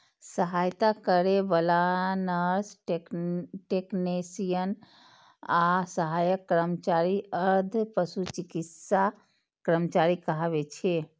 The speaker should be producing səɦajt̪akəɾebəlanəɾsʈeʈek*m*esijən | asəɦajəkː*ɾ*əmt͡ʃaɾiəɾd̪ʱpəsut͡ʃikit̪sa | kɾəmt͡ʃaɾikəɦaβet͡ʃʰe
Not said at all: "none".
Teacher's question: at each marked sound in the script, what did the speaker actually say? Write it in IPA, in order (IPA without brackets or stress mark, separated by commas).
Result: n, ɾ